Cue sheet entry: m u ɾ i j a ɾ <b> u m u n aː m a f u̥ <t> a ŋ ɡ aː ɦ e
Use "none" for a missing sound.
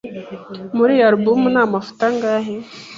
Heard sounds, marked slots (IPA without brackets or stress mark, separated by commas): b, t